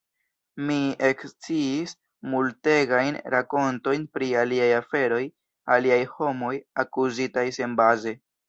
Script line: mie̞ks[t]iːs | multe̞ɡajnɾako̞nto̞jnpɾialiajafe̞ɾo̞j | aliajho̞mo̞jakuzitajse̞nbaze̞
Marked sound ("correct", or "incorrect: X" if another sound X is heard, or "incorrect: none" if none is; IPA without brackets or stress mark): incorrect: t͡s